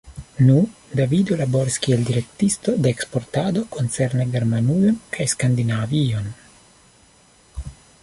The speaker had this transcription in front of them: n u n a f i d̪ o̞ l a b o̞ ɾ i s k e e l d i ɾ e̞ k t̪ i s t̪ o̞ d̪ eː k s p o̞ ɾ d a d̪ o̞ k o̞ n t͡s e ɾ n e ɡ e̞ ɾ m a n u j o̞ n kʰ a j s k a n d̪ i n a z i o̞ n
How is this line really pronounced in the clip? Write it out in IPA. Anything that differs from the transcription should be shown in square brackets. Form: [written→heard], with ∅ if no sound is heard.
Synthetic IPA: n u [n→d] a [f→v] i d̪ o̞ l a b o̞ ɾ i s k [e→i] e l d i ɾ e̞ k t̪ i s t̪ o̞ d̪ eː k s p o̞ ɾ [d→t] a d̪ o̞ k o̞ n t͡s e ɾ n e ɡ e̞ ɾ m a n u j o̞ n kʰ a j s k a n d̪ i n a [z→v] i o̞ n